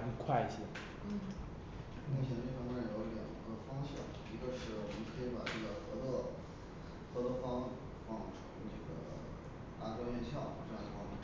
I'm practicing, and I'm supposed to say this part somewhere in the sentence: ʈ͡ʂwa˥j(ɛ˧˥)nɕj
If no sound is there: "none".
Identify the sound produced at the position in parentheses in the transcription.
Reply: ɛ˥˧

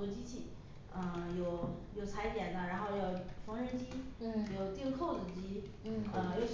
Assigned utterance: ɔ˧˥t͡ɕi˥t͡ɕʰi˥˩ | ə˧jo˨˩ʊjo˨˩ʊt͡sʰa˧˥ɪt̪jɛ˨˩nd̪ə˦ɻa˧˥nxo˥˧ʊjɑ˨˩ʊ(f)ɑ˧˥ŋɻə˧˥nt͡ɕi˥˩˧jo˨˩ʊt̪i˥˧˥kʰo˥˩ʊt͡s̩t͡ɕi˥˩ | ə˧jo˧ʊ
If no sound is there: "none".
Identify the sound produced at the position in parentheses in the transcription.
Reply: f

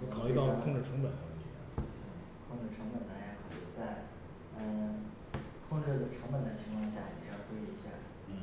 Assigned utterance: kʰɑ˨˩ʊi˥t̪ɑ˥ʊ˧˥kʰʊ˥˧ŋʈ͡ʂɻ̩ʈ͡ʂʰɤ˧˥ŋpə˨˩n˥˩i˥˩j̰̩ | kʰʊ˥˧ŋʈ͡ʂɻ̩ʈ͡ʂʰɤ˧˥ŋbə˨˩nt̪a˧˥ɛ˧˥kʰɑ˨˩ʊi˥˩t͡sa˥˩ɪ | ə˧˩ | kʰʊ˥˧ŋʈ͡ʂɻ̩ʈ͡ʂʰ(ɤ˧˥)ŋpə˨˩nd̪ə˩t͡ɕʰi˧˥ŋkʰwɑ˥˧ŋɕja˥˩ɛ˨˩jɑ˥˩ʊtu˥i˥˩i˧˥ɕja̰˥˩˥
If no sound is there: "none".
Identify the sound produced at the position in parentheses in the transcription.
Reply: ɤ˧˥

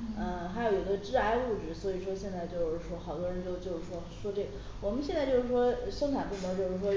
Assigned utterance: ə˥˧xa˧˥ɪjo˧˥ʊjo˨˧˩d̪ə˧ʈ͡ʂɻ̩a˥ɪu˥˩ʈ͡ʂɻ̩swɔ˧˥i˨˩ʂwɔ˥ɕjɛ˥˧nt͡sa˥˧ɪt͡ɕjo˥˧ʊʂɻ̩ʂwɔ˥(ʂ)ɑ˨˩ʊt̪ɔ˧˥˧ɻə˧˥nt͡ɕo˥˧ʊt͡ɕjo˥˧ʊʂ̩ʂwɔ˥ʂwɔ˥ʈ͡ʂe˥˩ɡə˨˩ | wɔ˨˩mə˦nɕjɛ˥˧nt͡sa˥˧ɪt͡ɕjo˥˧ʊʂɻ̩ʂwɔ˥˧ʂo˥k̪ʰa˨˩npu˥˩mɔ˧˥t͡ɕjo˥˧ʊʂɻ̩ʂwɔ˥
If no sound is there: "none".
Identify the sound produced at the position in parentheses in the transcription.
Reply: x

